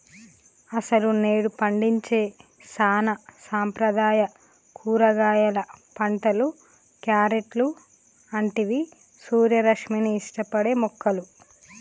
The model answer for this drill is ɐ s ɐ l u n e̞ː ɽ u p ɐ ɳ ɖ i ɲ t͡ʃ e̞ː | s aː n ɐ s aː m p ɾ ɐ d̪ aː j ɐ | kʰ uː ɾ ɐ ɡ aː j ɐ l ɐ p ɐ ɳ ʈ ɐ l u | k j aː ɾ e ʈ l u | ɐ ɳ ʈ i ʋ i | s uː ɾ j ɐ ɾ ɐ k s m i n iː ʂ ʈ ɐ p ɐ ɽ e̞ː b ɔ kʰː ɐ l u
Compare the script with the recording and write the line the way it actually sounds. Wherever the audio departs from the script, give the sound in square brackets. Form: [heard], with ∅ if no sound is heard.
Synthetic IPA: ɐ s ɐ l u n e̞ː ɽ u p ɐ ɳ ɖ i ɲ t͡ʃ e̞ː | s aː n ɐ s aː m p ɾ ɐ d̪ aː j ɐ | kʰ uː ɾ ɐ ɡ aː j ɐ l ɐ p ɐ ɳ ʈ ɐ l u | k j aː ɾ e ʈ l u | ɐ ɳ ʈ i ʋ i | s uː ɾ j ɐ ɾ ɐ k [ʂ] m i n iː ʂ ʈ ɐ p ɐ ɽ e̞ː [m] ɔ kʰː ɐ l u